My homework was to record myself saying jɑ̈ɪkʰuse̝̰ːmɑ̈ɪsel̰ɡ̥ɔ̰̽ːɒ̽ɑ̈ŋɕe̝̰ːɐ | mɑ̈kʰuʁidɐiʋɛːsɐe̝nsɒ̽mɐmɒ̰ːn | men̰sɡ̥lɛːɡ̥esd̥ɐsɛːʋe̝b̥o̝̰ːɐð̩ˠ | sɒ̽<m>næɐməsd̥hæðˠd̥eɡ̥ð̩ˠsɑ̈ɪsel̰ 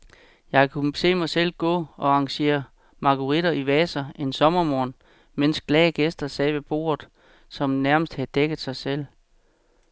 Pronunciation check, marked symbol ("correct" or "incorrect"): correct